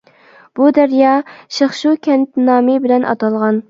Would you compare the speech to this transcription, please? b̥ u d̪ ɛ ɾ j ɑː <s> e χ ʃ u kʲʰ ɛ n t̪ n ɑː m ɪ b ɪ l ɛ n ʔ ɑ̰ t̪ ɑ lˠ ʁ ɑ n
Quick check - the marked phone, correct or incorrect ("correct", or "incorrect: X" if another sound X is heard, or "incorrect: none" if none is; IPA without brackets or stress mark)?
incorrect: ʃ